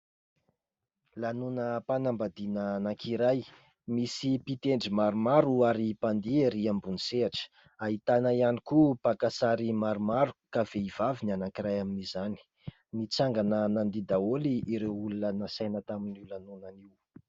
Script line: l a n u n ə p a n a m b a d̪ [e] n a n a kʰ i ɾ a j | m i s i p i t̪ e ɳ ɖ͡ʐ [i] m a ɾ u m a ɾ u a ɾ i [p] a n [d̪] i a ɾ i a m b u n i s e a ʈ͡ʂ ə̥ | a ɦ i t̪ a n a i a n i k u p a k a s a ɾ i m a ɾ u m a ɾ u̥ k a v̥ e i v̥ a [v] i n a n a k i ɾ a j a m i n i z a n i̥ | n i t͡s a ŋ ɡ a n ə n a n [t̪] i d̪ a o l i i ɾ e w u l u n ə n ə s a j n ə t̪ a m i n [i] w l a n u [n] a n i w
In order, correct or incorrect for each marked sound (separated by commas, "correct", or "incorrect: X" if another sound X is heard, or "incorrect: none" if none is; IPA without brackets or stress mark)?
incorrect: i, correct, correct, correct, correct, incorrect: d̪, correct, correct